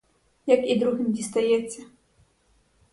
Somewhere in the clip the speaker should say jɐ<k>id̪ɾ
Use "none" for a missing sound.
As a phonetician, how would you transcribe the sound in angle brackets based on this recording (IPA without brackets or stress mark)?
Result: k